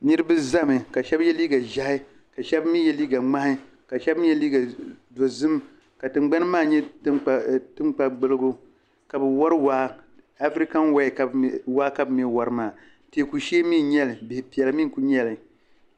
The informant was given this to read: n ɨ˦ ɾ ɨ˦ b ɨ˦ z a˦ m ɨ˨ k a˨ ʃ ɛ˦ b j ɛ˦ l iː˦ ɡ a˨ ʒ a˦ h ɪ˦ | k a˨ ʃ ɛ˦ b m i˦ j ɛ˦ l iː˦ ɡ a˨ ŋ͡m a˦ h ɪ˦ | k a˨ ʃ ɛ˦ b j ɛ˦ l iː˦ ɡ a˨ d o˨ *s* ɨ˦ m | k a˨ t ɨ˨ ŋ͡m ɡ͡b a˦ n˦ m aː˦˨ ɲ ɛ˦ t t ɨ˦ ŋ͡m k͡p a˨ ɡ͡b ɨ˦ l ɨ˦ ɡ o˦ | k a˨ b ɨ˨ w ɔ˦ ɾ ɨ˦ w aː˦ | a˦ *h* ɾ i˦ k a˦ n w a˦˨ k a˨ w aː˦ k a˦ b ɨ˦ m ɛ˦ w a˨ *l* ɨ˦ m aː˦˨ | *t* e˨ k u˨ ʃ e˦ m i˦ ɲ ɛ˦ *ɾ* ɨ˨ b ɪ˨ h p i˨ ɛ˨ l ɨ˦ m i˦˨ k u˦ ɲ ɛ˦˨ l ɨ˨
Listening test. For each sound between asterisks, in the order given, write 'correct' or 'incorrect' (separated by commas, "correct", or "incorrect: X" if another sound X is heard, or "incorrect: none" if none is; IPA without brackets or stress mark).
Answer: incorrect: z, incorrect: f, incorrect: ɾ, correct, incorrect: l